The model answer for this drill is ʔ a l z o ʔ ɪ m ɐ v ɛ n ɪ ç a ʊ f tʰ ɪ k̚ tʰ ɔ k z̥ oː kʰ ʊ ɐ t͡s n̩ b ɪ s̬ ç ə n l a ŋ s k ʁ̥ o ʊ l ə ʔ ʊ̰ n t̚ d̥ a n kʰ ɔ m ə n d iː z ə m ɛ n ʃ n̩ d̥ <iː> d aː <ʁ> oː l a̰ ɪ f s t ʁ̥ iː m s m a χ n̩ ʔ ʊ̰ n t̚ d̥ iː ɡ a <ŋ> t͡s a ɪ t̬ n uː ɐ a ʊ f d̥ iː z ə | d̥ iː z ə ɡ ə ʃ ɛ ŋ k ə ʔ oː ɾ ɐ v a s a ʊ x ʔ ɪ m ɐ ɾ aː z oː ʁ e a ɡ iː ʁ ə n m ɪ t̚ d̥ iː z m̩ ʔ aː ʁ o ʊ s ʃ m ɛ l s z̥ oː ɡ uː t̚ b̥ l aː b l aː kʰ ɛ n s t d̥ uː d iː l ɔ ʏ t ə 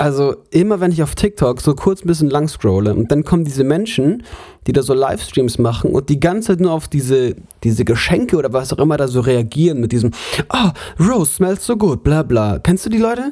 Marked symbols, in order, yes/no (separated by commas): yes, no, no